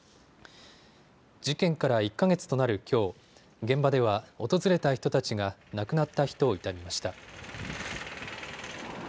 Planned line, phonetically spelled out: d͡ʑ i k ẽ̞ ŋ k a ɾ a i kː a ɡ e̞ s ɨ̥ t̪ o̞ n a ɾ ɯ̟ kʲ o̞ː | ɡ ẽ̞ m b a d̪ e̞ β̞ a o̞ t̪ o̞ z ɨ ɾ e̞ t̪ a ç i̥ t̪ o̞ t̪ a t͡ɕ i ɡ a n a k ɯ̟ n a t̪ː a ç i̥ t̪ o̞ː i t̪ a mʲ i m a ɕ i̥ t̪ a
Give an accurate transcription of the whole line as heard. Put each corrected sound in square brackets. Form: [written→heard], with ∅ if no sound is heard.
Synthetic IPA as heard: d͡ʑ i k ẽ̞ ŋ k a ɾ a i kː a ɡ e̞ [s→t͡s] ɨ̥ t̪ o̞ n a ɾ ɯ̟ kʲ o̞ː | ɡ ẽ̞ m b a d̪ e̞ β̞ a o̞ t̪ o̞ z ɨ ɾ e̞ t̪ a ç i̥ t̪ o̞ t̪ a t͡ɕ i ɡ a n a k ɯ̟ n a t̪ː a ç i̥ t̪ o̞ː i t̪ a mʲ i m a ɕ i̥ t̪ a

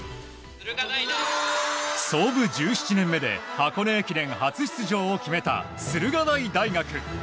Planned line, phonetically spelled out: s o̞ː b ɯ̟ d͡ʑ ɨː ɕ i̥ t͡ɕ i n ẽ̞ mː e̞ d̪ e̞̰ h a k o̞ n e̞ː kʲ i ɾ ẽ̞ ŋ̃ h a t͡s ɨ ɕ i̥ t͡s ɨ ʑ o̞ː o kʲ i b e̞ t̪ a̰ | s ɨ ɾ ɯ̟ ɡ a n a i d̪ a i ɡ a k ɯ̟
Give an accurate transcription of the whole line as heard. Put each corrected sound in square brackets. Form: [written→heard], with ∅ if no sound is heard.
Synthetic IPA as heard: s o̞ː b ɯ̟ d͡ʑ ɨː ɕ i̥ t͡ɕ i n ẽ̞ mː e̞ d̪ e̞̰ h a k o̞ n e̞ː kʲ i ɾ ẽ̞ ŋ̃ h a t͡s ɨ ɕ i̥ t͡s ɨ ʑ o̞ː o kʲ i [b→m] e̞ t̪ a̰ | s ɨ ɾ ɯ̟ ɡ a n a i d̪ a i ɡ a k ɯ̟

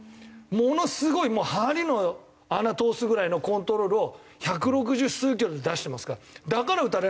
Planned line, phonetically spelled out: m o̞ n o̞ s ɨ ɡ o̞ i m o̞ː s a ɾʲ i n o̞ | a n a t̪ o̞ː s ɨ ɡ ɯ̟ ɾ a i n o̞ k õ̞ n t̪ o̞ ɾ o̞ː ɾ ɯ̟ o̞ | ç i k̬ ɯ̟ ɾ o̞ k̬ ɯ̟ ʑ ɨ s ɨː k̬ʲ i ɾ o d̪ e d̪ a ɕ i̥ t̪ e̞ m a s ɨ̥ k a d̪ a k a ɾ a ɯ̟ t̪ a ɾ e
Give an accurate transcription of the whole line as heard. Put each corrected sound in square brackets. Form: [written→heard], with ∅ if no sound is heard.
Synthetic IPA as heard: m o̞ n o̞ s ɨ ɡ o̞ i m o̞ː [s→h] a ɾʲ i n o̞ | a n a t̪ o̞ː s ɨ ɡ ɯ̟ ɾ a i n o̞ k õ̞ n t̪ o̞ ɾ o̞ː ɾ ɯ̟ o̞ | ç [i→a] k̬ ɯ̟ ɾ o̞ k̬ ɯ̟ ʑ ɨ s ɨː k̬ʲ i ɾ o d̪ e d̪ a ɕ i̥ t̪ e̞ m a s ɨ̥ k a d̪ a k a ɾ a ɯ̟ t̪ a ɾ e

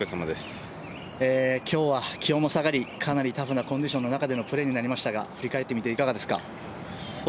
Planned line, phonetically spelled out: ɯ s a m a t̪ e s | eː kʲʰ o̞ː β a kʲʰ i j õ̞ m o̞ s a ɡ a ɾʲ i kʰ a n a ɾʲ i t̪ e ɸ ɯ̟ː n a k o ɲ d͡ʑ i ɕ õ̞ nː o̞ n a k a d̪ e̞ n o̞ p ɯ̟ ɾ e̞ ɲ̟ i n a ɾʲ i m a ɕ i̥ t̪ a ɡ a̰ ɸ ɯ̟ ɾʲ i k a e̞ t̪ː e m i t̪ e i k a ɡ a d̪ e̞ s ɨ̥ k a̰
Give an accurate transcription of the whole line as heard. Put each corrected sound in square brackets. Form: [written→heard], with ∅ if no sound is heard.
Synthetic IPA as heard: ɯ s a m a [t̪→d̪] e s | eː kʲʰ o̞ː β a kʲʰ i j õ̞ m o̞ s a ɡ a ɾʲ i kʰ a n a ɾʲ i t̪ [e→a] ɸ [ɯ̟ː→ɯ̟] n a k o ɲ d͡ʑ i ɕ õ̞ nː o̞ n a k a d̪ e̞ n o̞ p ɯ̟ ɾ e̞ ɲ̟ i n a ɾʲ i m a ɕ i̥ t̪ a ɡ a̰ ɸ ɯ̟ ɾʲ i k a e̞ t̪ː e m i t̪ e i k a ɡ a d̪ e̞ s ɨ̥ k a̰

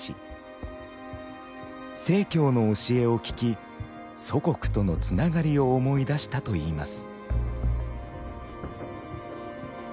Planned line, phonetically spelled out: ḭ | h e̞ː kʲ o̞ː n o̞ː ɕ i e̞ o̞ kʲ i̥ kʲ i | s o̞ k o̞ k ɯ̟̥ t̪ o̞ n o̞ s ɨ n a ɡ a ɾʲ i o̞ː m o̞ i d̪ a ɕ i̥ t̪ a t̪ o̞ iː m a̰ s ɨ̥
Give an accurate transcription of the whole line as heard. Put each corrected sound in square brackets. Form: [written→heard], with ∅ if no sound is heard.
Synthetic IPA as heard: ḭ | [h→s] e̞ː kʲ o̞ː n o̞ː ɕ i e̞ o̞ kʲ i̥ kʲ i | s o̞ k o̞ k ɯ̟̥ t̪ o̞ n o̞ [s→t͡s] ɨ n a ɡ a ɾʲ i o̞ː m o̞ i d̪ a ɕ i̥ t̪ a t̪ o̞ iː m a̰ s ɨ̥

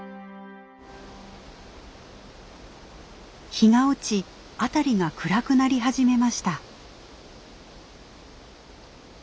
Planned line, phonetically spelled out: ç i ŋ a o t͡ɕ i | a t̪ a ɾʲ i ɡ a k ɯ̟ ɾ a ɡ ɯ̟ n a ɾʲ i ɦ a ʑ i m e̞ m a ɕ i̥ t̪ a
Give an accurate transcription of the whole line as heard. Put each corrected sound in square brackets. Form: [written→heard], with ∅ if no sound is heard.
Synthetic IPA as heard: ç i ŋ a o t͡ɕ i | a t̪ a ɾʲ i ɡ a k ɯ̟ ɾ a [ɡ→k] ɯ̟ n a ɾʲ i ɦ a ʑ i m e̞ m a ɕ i̥ t̪ a

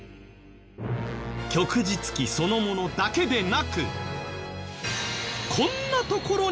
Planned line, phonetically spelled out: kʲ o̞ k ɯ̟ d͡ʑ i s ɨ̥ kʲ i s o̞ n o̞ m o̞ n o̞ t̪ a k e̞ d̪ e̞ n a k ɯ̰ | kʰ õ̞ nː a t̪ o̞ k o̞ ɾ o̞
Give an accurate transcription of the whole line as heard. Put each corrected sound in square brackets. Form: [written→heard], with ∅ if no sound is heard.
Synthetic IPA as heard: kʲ o̞ k ɯ̟ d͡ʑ i [s→t͡s] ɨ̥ kʲ i s o̞ n o̞ m o̞ n o̞ [t̪→d̪] a k e̞ d̪ e̞ n a k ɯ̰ | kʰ õ̞ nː a t̪ o̞ k o̞ ɾ o̞

